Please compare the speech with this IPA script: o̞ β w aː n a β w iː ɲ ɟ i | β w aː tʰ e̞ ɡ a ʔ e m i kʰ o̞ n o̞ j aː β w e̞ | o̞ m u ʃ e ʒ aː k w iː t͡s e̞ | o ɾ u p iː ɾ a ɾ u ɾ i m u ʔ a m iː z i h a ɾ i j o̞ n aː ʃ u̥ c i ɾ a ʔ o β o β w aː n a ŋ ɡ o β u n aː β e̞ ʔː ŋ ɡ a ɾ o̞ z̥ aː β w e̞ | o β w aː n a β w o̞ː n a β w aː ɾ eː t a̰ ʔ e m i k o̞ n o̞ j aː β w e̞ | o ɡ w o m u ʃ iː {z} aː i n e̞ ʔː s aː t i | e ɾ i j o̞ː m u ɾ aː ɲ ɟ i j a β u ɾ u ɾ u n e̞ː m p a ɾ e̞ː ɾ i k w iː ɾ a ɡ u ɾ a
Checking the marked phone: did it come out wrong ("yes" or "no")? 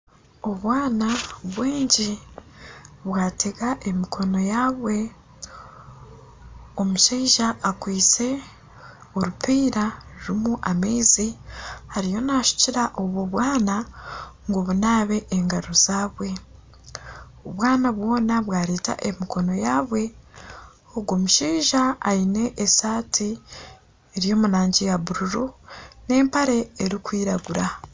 yes